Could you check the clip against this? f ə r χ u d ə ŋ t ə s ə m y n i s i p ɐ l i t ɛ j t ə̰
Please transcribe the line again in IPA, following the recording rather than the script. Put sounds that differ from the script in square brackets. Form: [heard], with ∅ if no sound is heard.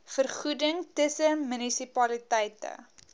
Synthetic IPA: f ə r χ u d ə ŋ t ə s ə m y n i s i p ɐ l i t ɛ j t ə̰